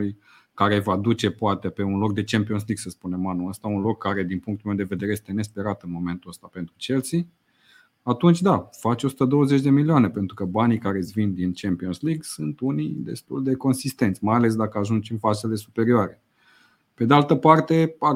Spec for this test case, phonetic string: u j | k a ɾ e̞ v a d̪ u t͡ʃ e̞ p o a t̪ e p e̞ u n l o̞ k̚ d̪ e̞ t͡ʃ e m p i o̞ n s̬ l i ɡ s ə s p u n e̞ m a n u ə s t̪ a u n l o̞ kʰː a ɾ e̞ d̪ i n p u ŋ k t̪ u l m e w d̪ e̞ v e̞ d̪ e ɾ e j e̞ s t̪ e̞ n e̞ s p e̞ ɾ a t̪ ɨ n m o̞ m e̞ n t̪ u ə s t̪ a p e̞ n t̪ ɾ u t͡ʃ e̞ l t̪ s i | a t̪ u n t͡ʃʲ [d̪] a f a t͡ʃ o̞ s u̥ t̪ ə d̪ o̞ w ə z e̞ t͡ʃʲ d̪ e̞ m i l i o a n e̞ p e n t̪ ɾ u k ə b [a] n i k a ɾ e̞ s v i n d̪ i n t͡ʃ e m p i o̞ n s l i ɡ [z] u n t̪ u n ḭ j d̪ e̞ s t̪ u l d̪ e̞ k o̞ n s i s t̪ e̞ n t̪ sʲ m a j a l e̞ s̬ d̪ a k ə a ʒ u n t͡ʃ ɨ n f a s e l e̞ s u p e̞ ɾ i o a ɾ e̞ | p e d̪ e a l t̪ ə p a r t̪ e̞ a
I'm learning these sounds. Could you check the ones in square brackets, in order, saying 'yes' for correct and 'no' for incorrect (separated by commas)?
yes, yes, no